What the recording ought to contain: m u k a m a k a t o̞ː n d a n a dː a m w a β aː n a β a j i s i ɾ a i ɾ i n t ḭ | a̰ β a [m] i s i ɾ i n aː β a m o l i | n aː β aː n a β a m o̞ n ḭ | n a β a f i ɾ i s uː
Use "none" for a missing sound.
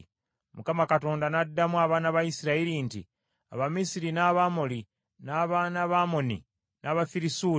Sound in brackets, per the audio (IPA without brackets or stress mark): m